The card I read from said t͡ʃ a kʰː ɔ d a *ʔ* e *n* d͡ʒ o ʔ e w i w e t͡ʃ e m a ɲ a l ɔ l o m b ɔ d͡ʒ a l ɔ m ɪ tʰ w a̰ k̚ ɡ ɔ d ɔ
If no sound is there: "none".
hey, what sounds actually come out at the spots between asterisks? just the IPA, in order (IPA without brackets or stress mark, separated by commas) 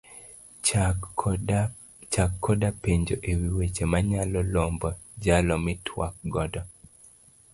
p, ɲ